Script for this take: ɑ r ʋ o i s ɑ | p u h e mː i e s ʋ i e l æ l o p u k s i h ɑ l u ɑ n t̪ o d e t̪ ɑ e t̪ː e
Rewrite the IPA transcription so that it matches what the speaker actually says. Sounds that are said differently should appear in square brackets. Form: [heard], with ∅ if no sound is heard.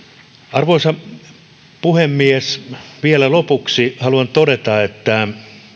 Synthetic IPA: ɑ r ʋ o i s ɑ | p u h e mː i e s ʋ i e l æ l o p u k s i h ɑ l u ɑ n t̪ o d e t̪ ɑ e t̪ː [æ]